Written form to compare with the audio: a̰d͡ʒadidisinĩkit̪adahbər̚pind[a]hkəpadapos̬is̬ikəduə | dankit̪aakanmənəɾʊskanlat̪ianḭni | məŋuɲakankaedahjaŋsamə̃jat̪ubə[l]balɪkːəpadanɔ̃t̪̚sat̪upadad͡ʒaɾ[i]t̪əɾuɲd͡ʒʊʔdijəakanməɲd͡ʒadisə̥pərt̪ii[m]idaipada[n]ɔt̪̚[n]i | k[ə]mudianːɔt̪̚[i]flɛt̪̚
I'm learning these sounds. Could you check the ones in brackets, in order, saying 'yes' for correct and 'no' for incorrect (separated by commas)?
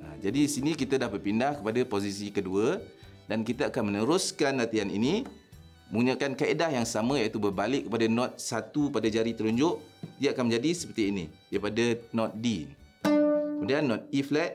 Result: yes, no, yes, no, yes, no, yes, yes